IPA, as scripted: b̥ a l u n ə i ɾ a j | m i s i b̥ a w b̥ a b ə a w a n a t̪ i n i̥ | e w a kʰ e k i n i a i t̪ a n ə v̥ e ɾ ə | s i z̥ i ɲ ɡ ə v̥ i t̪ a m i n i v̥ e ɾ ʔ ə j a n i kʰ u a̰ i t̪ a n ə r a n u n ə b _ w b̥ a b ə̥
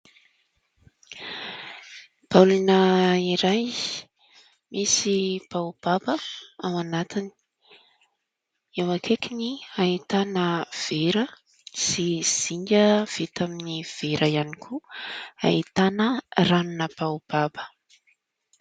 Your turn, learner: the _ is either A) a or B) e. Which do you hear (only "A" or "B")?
A